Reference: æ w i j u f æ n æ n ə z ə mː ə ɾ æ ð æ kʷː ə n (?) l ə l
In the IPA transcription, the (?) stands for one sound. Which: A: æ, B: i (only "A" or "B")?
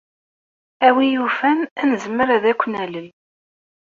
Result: A